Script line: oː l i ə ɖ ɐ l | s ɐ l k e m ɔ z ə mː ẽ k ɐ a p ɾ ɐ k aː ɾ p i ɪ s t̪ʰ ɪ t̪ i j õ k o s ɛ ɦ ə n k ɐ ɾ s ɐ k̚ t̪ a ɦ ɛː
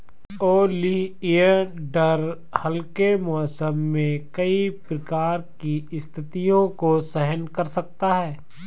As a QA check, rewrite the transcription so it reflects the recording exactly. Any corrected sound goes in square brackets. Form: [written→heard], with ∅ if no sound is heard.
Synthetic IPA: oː l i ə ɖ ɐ [l→ɾ] | [s→h] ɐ l k e m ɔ [z→s] ə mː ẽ k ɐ [a→i] p ɾ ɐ k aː ɾ [p→k] i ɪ s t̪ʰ ɪ t̪ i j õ k o s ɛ ɦ ə n k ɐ ɾ s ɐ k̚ t̪ a ɦ ɛː